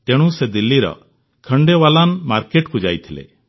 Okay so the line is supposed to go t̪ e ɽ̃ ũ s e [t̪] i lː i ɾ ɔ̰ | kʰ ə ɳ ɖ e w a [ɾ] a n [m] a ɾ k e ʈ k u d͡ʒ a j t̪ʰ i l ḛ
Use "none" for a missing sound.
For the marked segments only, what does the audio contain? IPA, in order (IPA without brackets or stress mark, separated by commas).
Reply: d̪, l, m